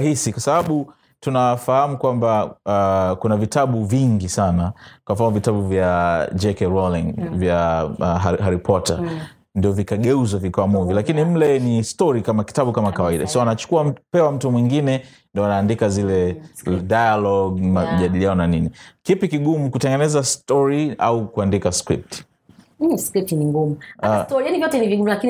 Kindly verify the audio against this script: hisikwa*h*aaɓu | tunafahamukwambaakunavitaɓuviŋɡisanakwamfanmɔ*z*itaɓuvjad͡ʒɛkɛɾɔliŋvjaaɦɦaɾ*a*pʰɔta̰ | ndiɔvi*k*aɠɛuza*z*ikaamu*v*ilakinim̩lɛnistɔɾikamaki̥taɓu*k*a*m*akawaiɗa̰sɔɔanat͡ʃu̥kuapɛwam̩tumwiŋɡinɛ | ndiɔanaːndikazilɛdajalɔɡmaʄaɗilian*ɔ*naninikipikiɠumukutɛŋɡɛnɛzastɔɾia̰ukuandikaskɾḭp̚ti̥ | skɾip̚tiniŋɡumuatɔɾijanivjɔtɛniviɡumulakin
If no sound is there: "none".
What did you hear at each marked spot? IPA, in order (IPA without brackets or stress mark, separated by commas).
s, v, i, k, v, v, k, m, ɔ